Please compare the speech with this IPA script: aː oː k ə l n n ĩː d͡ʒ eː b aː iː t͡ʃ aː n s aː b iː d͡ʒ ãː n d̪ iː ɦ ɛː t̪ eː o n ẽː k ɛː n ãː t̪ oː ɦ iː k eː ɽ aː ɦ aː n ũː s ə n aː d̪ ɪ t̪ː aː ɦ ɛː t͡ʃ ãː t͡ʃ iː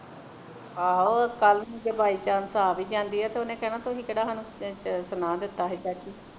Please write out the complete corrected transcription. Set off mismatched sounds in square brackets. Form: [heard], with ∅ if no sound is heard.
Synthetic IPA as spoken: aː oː k ə l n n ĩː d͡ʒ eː b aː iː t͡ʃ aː n s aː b iː d͡ʒ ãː n d̪ iː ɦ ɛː t̪ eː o n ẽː k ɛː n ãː t̪ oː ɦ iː k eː ɽ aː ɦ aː n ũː s ə n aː d̪ ɪ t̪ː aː ɦ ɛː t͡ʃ [aː] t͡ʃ iː